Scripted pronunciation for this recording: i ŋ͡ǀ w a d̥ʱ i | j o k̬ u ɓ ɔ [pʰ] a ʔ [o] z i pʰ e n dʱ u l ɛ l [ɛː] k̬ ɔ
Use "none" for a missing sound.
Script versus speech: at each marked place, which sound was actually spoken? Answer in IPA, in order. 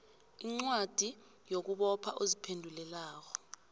pʰ, o, aː

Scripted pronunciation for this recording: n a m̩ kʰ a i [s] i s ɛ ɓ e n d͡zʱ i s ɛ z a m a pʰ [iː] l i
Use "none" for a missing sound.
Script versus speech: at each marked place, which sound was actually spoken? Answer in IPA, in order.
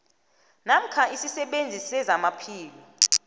s, iː

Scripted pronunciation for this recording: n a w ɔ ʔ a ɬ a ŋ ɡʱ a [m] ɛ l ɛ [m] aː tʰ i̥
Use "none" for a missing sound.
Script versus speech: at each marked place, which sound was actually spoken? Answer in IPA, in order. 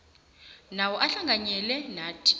ɲ, n

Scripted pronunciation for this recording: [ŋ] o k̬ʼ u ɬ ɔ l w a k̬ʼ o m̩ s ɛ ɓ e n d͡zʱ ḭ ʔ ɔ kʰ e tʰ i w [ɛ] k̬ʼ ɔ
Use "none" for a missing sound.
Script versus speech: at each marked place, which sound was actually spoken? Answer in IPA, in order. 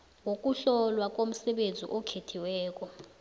ŋ, ɛː

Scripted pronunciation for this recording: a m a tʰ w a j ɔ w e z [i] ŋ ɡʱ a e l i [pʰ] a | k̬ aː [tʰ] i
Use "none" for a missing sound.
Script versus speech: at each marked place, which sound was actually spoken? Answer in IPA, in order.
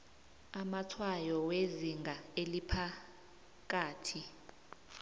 i, pʰ, tʰ

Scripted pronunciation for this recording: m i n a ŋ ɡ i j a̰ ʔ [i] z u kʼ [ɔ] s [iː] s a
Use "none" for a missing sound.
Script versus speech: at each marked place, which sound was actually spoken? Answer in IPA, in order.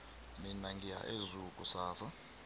e, u, aː

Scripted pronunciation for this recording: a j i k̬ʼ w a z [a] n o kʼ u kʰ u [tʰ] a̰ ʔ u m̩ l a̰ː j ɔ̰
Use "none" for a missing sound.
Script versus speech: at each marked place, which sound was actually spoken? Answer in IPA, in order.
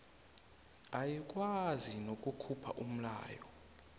i, pʰ

